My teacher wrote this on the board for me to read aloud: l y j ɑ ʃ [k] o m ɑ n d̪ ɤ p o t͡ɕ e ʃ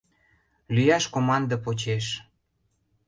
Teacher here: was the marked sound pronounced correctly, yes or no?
yes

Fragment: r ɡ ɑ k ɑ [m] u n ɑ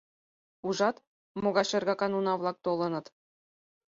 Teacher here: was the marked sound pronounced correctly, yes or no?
no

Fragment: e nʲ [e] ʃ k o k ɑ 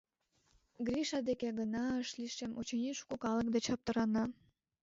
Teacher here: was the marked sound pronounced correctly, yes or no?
no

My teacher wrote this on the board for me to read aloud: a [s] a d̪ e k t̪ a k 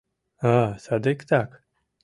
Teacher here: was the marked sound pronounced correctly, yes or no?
yes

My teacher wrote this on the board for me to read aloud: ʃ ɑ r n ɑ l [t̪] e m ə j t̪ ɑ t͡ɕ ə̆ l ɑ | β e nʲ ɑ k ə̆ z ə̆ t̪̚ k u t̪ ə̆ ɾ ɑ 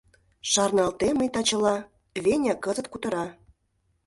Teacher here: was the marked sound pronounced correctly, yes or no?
yes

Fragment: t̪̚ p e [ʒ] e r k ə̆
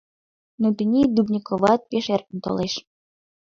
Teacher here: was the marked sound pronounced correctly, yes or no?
no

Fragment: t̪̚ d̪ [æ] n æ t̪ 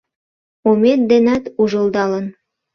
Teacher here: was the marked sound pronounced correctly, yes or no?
no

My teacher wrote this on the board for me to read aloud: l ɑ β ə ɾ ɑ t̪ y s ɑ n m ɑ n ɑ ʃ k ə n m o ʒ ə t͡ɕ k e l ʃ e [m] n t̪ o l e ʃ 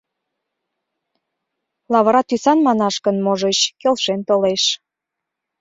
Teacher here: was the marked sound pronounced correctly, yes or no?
no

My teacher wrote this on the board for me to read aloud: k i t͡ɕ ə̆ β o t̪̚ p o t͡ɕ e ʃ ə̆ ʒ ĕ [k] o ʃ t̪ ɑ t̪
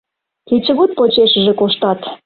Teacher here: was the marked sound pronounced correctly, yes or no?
yes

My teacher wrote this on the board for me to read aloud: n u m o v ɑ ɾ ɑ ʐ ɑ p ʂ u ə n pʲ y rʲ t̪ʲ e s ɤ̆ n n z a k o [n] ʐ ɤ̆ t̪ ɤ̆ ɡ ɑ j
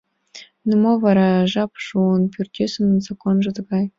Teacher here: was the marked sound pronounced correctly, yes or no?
yes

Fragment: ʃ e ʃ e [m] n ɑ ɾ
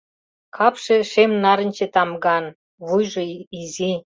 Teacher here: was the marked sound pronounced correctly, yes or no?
yes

